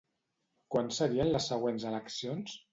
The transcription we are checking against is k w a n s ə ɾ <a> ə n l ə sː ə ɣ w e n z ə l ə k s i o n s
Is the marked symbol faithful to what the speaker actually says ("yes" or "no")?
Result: no